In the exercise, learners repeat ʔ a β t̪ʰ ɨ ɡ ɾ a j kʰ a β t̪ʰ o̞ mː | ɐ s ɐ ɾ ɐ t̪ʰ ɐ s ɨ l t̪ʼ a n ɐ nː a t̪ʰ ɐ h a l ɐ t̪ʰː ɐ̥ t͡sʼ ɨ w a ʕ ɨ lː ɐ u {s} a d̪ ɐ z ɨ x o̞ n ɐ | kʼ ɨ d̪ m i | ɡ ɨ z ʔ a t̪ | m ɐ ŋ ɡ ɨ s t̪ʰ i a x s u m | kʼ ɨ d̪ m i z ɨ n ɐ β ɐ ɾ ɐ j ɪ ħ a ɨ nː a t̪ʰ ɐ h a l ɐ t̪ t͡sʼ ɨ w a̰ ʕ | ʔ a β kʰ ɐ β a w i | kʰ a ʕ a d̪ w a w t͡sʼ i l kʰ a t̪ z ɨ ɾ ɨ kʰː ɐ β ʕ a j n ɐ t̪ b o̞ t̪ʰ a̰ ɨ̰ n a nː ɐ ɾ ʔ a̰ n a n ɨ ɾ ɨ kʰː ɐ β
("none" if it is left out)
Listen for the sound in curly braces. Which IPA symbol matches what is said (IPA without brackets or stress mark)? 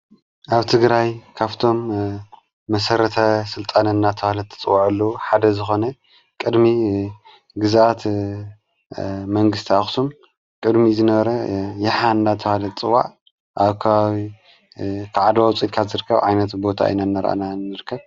ħ